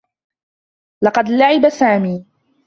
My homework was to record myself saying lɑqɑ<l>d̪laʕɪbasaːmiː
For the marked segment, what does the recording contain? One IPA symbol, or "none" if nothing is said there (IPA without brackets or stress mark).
none